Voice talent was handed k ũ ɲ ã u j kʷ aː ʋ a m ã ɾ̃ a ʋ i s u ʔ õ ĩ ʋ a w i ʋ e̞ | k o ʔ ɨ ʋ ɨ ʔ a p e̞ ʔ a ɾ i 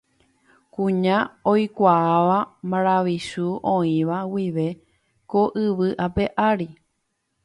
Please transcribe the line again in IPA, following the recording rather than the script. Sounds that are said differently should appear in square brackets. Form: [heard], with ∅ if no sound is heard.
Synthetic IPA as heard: k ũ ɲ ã [o] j kʷ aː ʋ a m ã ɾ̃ a ʋ i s u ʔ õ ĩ ʋ a w i ʋ e̞ | k o ʔ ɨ ʋ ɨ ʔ a p e̞ ʔ a ɾ i